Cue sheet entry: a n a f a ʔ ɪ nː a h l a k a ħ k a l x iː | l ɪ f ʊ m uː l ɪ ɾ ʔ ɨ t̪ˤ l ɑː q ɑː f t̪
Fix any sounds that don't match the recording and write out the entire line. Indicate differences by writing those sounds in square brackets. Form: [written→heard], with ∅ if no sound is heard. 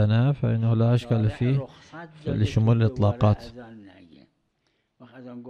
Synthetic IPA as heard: a n a f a ʔ ɪ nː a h l a [k→ʔ] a [ħ→ʃ] k a l [x→f] iː | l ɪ [f→ʃ] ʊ m uː l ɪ [ɾ→l] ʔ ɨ t̪ˤ l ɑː q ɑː [f→∅] t̪